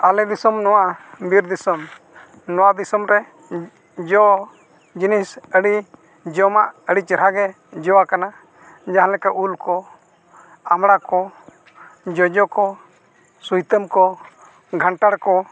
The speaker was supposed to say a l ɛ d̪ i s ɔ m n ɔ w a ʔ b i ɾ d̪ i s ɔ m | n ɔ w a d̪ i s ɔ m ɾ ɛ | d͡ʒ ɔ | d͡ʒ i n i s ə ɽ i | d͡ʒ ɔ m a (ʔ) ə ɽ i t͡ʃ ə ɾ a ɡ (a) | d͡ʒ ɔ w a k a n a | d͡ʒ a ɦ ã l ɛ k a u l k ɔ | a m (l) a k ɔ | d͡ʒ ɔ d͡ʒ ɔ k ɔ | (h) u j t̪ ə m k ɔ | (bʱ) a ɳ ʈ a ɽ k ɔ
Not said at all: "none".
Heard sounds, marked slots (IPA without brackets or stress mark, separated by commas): ʔ, ɛ, ɽ, s, ɡʱ